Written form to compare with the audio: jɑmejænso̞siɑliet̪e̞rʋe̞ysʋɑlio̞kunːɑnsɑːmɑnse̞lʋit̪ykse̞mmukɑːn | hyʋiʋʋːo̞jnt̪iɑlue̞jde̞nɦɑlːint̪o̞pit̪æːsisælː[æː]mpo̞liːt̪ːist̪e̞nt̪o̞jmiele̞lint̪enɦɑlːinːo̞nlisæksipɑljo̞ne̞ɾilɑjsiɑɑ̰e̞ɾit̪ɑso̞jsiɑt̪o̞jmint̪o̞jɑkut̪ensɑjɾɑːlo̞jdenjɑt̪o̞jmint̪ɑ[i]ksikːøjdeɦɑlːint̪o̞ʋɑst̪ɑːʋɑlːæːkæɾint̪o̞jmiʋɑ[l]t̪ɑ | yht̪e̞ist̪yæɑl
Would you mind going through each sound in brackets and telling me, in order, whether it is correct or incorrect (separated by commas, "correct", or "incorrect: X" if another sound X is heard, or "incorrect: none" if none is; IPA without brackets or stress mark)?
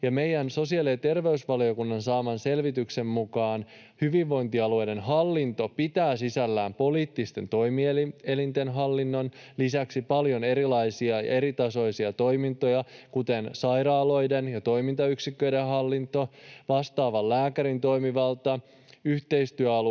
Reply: correct, incorrect: y, correct